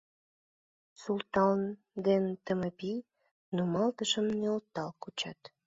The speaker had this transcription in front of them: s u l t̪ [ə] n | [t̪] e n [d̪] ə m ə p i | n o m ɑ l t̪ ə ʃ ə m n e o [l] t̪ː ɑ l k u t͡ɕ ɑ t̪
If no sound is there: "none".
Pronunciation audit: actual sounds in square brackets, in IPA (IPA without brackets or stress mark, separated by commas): ɑ, d̪, t̪, l